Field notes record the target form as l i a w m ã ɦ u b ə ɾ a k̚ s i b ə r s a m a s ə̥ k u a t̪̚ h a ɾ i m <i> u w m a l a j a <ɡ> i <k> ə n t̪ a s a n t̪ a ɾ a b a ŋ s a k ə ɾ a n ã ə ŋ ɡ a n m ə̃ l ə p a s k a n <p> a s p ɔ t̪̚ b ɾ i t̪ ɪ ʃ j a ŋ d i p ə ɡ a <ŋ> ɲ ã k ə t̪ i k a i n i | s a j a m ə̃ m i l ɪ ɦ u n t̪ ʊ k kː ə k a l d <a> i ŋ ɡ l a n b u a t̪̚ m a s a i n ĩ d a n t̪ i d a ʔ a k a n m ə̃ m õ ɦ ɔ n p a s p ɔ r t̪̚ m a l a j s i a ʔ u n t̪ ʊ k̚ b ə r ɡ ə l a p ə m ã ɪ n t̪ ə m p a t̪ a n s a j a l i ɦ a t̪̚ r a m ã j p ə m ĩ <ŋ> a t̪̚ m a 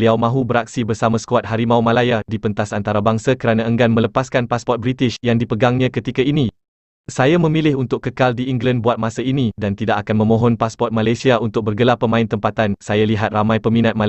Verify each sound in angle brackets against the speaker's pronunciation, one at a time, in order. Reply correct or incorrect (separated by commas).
incorrect, incorrect, incorrect, correct, correct, incorrect, incorrect